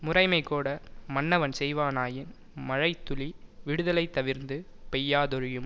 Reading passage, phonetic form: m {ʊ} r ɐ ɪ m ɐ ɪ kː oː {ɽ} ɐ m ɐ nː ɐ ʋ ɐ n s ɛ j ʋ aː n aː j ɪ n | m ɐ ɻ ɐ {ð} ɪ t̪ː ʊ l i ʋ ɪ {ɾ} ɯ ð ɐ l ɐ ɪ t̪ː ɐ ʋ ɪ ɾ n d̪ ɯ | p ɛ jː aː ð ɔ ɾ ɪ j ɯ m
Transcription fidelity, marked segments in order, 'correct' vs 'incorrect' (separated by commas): correct, correct, incorrect, incorrect